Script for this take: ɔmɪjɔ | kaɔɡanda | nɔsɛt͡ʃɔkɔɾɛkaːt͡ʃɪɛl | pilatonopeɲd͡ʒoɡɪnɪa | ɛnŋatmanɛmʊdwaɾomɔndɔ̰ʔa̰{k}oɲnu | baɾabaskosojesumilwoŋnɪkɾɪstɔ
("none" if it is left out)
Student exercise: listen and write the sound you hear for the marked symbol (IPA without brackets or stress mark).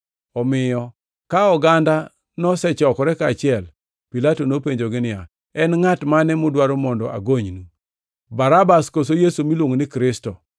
ɡ